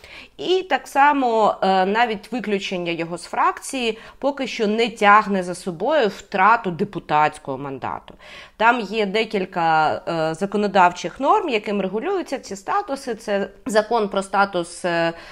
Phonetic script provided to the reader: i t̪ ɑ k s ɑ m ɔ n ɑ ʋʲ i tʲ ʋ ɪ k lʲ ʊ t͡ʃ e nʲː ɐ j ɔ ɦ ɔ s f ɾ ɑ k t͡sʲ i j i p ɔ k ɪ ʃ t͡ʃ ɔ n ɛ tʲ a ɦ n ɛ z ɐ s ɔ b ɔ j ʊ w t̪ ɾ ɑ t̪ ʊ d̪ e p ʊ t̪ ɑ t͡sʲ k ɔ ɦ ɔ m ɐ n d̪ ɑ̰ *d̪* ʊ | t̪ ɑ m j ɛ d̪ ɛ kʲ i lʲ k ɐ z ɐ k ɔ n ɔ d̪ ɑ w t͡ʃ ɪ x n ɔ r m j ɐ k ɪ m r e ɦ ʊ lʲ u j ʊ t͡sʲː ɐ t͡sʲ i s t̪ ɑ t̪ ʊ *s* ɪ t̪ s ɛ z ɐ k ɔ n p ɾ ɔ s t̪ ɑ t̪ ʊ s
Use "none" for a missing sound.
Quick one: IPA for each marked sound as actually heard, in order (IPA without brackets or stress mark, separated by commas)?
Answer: t̪, s